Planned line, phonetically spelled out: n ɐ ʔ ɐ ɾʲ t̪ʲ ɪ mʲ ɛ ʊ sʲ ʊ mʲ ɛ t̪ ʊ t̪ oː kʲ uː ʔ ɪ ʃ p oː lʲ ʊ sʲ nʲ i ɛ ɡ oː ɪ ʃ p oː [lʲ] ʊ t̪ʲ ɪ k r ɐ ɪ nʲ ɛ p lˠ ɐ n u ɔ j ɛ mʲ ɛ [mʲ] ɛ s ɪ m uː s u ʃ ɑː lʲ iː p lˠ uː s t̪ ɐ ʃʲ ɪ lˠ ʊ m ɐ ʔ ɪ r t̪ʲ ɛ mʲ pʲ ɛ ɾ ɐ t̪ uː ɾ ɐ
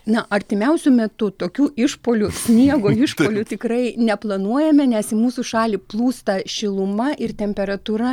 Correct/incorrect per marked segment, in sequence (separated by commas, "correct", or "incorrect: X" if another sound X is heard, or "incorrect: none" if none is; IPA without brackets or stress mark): correct, incorrect: nʲ